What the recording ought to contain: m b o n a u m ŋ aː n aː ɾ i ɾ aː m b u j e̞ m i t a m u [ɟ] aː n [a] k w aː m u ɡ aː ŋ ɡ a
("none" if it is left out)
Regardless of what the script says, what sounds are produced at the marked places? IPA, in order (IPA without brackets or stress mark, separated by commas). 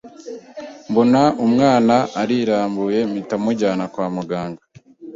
ɟ, a